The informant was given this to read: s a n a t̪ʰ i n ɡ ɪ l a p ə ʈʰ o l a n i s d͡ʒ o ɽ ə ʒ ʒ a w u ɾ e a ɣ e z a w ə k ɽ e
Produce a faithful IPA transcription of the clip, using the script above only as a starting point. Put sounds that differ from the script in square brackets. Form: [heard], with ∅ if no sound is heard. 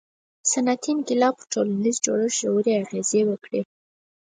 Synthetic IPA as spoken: s a n a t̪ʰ i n ɡ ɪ l [ɑ] p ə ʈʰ o l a n i [z] d͡ʒ o ɽ ə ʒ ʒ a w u ɾ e a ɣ e z [e] w ə k ɽ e

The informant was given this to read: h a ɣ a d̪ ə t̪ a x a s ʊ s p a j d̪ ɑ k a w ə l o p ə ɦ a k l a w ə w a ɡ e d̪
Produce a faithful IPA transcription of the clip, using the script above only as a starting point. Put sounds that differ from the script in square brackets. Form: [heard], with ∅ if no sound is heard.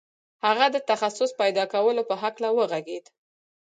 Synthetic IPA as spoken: h a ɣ a d̪ ə t̪ a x a s ʊ s p a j d̪ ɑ k a w ə l o p ə ɦ a k l a w ə [ɣ] a ɡ e d̪

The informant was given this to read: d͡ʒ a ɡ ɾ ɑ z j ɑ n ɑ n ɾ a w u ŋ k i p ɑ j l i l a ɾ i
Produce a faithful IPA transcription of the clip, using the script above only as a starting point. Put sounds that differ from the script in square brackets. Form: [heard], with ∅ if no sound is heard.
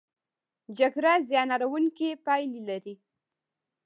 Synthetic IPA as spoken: d͡ʒ a ɡ ɾ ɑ z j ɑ n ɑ [∅] ɾ a w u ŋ k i p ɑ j l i l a ɾ i

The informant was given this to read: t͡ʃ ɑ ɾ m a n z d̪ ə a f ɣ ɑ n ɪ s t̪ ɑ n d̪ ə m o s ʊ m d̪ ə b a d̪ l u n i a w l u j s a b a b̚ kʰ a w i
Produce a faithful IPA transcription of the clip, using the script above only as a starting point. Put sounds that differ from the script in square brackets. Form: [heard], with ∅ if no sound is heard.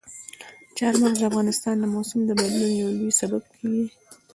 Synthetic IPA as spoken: t͡ʃ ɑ ɾ m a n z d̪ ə a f ɣ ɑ n ɪ s t̪ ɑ n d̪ ə m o s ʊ m d̪ ə b a d̪ l u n [j] a w l u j s a b a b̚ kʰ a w i

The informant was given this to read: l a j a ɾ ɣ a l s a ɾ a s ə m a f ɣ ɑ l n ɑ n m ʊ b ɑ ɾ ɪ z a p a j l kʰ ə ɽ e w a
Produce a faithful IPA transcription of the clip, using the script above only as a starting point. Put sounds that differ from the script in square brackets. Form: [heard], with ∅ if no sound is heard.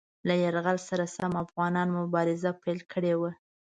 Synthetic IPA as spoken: l a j a ɾ ɣ a l s a ɾ a s [a] m a f ɣ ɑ [∅] n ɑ n m ʊ b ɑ ɾ ɪ z a p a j l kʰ ə ɽ e w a

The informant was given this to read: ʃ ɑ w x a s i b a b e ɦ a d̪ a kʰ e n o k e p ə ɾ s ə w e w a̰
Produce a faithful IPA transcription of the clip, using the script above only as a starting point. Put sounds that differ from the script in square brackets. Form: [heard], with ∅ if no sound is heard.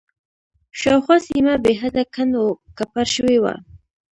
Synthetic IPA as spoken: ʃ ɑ w x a s i [m] a b e ɦ a d̪ a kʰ [a] n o k [a] p [a] ɾ [ʃ] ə w e w a̰

